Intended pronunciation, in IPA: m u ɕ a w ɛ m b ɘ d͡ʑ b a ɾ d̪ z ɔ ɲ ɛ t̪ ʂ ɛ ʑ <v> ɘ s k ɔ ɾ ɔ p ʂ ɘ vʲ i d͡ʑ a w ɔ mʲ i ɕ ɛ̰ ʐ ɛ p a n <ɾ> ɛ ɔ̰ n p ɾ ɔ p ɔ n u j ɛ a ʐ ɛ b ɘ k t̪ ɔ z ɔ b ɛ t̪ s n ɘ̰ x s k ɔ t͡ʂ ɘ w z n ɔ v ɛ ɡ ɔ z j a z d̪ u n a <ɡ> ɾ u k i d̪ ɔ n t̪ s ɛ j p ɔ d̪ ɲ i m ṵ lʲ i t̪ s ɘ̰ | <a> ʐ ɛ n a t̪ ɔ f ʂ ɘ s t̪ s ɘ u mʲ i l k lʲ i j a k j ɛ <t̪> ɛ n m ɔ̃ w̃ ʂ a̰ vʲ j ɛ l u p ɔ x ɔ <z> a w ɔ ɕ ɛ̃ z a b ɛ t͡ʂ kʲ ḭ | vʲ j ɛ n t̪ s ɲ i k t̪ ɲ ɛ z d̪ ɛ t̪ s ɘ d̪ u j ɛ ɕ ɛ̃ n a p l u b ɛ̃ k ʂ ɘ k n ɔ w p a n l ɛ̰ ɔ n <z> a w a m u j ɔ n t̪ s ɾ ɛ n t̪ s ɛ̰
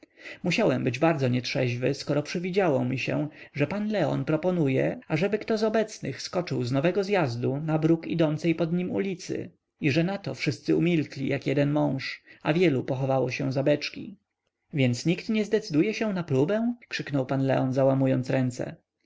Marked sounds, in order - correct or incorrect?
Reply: correct, incorrect: l, incorrect: b, incorrect: i, incorrect: d̪, incorrect: v, correct

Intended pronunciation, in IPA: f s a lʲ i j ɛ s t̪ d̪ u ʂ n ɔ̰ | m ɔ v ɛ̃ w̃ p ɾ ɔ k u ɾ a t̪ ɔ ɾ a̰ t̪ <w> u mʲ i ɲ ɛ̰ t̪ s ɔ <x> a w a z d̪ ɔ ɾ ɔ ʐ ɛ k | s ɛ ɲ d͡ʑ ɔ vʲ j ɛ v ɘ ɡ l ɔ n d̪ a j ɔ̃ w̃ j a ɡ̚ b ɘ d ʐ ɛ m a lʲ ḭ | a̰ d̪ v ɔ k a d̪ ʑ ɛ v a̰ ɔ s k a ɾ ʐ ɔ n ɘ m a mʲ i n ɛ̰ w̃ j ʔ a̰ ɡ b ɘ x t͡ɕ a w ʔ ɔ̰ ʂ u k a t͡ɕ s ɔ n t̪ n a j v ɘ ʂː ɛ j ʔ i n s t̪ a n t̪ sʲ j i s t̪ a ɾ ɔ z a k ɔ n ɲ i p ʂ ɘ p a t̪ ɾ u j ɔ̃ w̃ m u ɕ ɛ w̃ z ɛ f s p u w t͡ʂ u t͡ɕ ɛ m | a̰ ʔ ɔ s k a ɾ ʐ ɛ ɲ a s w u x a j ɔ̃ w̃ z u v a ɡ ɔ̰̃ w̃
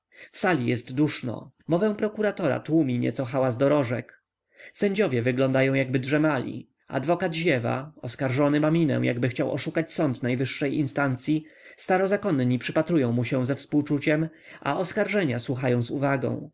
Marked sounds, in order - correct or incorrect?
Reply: correct, correct

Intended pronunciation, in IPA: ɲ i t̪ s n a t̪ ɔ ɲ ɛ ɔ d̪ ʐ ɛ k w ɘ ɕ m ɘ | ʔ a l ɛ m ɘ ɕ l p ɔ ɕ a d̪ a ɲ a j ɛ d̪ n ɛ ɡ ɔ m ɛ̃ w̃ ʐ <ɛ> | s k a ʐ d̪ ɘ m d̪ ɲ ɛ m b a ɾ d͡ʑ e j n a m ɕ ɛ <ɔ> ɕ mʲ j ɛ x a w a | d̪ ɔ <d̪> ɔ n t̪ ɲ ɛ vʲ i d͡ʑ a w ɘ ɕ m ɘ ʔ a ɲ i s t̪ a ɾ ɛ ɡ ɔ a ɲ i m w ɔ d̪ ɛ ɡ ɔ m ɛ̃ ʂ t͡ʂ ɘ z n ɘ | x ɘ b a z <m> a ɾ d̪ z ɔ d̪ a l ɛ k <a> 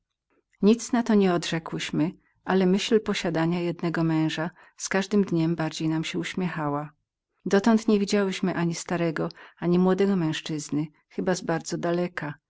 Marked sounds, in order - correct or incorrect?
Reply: incorrect: a, incorrect: u, incorrect: t̪, incorrect: b, correct

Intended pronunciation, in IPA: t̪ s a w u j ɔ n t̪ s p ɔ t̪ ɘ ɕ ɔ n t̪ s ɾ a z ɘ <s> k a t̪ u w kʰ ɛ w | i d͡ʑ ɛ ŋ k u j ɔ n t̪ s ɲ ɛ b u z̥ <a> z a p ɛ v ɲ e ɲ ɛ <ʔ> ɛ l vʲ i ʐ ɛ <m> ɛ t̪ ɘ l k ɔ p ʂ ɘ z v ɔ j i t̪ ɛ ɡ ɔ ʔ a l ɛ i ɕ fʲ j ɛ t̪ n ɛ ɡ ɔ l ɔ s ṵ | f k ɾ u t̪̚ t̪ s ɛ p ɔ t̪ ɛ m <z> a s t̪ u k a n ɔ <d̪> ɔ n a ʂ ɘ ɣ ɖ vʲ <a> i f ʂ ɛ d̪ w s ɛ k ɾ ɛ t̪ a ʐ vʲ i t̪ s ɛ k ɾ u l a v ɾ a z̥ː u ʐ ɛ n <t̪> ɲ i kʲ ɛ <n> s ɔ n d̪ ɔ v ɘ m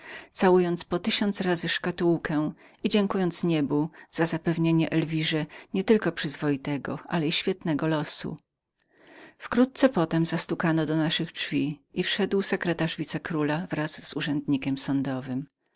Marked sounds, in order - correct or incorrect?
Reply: incorrect: ʂ, correct, correct, incorrect: ɲ, correct, correct, incorrect: i, incorrect: d̪, incorrect: m

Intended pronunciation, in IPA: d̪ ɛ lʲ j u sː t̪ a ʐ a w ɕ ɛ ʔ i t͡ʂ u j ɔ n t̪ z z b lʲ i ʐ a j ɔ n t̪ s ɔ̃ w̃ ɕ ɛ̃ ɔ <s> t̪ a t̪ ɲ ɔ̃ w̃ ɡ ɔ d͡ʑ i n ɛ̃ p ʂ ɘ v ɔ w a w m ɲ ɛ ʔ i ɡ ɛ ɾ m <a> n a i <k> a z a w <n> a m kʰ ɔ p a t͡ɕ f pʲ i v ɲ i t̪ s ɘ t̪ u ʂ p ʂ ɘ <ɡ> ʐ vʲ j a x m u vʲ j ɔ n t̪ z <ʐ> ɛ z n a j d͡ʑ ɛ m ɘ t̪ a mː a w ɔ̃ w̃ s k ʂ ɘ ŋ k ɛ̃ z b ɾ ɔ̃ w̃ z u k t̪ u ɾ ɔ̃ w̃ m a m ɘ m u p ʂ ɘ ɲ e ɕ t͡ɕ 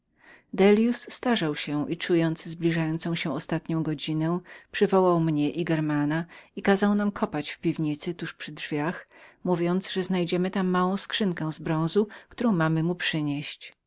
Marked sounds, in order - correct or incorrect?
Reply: correct, correct, correct, correct, incorrect: d, correct

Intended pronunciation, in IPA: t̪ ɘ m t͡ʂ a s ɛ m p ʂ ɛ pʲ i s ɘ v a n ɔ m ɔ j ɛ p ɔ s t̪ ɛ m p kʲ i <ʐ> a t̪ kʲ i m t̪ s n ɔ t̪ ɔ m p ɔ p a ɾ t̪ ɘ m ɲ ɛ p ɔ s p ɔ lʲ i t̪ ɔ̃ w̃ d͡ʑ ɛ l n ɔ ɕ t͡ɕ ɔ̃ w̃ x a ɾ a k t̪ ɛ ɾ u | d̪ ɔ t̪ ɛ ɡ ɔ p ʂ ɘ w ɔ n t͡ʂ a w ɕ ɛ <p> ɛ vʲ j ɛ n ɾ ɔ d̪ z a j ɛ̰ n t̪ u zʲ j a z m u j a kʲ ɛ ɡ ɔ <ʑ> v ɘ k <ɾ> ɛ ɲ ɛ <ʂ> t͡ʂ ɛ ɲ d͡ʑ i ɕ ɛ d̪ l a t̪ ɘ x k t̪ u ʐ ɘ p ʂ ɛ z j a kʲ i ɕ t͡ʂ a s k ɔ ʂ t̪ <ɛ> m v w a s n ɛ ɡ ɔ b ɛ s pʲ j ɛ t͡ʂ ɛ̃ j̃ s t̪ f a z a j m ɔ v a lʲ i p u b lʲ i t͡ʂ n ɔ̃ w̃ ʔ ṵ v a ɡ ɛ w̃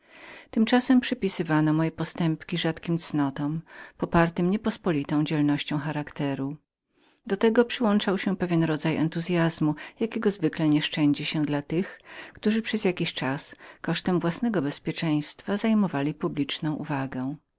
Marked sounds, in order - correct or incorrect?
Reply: correct, correct, incorrect: z, incorrect: l, correct, correct

